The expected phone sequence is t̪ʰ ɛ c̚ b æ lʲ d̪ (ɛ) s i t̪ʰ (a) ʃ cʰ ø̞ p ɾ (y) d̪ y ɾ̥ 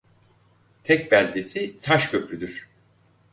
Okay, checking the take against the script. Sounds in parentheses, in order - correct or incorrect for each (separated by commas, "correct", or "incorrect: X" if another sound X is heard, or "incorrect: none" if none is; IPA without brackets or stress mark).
incorrect: e, correct, correct